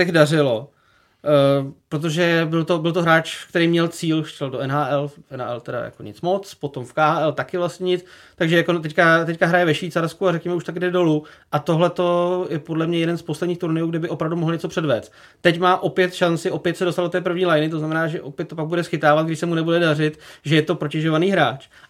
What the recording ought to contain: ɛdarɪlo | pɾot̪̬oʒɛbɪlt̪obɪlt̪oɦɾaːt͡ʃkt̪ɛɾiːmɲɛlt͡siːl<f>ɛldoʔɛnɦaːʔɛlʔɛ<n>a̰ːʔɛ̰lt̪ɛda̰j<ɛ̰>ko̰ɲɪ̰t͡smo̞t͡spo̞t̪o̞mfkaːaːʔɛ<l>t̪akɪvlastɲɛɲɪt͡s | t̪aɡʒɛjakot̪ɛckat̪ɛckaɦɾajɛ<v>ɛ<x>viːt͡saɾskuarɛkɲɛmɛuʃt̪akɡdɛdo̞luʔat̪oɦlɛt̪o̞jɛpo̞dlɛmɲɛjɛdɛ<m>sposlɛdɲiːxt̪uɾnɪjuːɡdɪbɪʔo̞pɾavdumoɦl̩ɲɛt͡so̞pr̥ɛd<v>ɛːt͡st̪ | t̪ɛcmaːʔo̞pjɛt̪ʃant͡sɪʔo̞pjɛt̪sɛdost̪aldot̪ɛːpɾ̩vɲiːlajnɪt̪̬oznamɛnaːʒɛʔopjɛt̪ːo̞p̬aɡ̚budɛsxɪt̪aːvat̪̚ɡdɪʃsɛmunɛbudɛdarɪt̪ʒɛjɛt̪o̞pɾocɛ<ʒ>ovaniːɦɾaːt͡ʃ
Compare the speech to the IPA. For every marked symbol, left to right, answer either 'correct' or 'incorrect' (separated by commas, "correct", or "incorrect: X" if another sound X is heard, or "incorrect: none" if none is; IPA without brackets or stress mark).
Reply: incorrect: ʃ, correct, incorrect: a̰, correct, correct, incorrect: ʃ, incorrect: n, correct, correct